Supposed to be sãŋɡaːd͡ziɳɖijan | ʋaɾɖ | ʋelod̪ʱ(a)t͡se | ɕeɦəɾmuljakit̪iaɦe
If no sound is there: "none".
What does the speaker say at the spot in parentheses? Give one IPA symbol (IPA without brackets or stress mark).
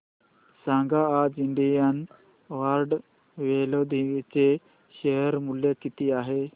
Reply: i